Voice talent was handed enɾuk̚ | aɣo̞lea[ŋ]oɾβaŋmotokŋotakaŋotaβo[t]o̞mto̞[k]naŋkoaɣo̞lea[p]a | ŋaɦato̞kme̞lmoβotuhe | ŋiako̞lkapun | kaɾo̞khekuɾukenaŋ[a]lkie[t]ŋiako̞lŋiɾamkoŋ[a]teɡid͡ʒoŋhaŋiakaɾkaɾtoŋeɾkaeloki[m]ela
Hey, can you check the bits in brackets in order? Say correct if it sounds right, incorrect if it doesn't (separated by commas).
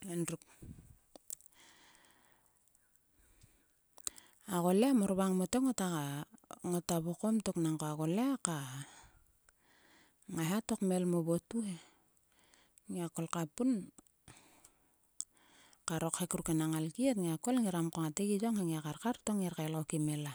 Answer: incorrect, incorrect, correct, incorrect, correct, correct, correct, correct